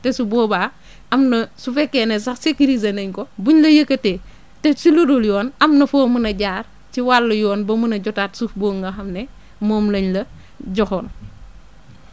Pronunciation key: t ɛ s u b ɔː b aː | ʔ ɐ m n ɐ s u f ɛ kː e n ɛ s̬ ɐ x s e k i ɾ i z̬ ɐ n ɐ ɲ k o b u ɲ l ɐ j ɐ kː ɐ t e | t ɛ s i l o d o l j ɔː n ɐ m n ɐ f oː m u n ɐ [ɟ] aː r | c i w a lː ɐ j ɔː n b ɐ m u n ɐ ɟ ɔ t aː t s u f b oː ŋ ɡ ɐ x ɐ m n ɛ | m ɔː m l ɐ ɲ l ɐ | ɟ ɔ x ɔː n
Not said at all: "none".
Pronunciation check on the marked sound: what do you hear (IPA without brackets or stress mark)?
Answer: ɟ